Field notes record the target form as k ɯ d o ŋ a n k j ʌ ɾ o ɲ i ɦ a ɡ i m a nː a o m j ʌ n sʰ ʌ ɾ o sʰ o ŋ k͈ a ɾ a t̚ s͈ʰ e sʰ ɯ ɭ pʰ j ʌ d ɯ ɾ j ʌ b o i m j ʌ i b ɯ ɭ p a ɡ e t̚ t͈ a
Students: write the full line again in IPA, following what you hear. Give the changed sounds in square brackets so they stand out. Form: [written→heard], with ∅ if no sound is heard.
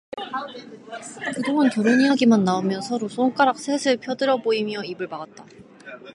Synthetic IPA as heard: k ɯ d o ŋ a n k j ʌ ɾ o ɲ i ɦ a ɡ i m a nː a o m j ʌ n sʰ ʌ ɾ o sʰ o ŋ k͈ a ɾ a [t̚→k̚] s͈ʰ e sʰ ɯ ɭ pʰ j ʌ d ɯ ɾ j ʌ b o i m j ʌ i b ɯ ɭ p a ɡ [e→a] t̚ t͈ a